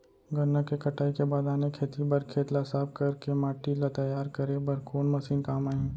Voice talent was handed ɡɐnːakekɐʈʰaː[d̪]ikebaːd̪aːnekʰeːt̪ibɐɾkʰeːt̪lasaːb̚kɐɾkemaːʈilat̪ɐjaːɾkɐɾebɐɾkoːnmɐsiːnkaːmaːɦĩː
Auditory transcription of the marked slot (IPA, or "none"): none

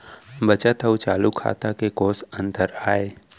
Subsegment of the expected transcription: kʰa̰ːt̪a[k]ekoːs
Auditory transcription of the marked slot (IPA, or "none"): k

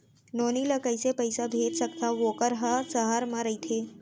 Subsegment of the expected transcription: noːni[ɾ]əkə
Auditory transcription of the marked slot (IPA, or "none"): l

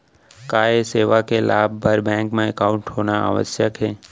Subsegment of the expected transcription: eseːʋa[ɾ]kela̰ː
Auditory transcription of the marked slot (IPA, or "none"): none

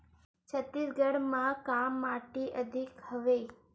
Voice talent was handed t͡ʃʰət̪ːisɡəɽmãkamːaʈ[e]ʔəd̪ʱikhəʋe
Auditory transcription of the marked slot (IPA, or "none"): i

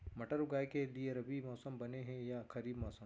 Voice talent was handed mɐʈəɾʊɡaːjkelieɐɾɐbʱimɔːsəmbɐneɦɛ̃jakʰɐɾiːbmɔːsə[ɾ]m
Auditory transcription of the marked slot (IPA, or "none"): none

